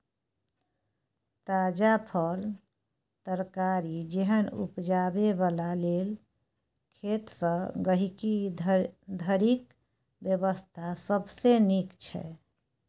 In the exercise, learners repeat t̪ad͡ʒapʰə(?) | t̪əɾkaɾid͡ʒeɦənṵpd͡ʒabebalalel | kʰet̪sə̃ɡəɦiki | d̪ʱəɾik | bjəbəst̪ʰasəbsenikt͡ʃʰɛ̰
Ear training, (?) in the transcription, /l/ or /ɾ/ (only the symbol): l